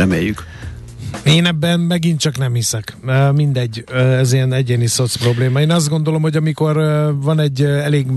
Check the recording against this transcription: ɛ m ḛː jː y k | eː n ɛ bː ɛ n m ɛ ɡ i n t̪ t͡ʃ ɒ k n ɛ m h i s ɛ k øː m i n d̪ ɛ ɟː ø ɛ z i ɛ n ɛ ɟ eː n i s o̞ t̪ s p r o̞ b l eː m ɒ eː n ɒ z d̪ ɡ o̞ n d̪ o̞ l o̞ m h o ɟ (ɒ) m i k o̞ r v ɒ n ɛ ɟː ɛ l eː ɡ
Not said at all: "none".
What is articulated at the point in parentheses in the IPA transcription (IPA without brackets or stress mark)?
ɒ